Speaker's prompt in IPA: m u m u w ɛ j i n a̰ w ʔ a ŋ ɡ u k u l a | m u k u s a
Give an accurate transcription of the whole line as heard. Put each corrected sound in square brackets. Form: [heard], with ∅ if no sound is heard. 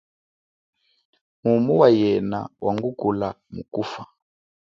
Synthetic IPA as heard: m u m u w [a] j [ɛ] n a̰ w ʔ a ŋ ɡ u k u l a | m u k u [f] a